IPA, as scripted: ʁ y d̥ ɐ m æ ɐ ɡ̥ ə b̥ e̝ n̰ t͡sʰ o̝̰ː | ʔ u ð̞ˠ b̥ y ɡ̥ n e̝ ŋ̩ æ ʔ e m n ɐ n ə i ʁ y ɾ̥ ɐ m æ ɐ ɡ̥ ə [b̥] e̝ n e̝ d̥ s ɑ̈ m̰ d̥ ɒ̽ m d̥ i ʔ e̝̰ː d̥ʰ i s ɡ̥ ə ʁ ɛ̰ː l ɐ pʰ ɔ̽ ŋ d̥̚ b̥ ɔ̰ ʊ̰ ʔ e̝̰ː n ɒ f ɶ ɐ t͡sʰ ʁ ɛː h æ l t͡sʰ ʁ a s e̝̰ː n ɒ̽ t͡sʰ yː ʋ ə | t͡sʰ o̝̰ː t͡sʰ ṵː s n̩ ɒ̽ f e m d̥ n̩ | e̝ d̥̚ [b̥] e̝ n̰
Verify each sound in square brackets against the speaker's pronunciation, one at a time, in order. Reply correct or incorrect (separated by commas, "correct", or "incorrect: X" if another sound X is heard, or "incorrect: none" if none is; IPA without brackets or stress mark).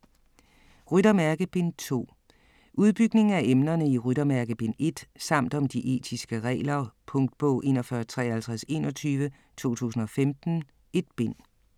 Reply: correct, correct